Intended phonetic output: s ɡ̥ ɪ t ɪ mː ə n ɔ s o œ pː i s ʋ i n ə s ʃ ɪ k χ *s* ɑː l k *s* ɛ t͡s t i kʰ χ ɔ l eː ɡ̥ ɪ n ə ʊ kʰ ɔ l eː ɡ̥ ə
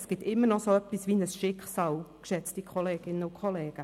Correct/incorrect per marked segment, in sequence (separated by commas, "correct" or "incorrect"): correct, incorrect